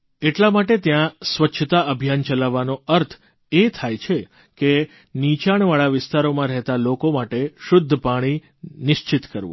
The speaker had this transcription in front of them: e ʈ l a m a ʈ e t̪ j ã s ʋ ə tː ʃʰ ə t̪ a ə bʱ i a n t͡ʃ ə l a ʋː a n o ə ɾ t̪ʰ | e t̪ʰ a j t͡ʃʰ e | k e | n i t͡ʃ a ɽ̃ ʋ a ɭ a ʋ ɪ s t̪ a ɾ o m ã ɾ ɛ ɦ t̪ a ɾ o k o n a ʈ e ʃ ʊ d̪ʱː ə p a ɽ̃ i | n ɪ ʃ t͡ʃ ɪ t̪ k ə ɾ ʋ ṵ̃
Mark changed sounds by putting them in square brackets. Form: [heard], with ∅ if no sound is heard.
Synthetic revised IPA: e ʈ l a m a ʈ e t̪ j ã s ʋ ə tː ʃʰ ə t̪ a ə bʱ [j] a n t͡ʃ ə l a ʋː a n o ə ɾ t̪ʰ | e t̪ʰ a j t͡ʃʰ e | k e | n i t͡ʃ a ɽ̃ ʋ a ɭ a ʋ ɪ s t̪ a ɾ o m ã ɾ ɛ ɦ t̪ a [l] o k o [m] a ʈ e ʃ ʊ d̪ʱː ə p a ɽ̃ i | n ɪ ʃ t͡ʃ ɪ t̪ k ə ɾ ʋ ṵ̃

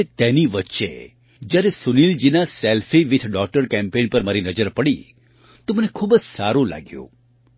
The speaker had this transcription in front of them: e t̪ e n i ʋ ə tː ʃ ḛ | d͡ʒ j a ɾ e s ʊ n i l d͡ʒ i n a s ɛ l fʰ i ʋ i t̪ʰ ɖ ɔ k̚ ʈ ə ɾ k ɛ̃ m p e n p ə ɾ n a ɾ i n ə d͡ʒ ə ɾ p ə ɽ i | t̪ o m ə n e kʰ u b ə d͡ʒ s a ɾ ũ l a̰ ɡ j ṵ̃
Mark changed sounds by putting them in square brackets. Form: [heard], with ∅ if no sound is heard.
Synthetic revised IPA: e t̪ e n i ʋ ə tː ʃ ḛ | d͡ʒ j a ɾ e s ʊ n i l d͡ʒ i n a s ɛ l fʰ i ʋ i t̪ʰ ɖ ɔ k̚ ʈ ə ɾ k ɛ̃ m p e n p ə ɾ [m] a ɾ i n ə d͡ʒ ə ɾ p ə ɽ i | t̪ o m ə n e kʰ u b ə d͡ʒ s a ɾ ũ l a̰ ɡ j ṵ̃

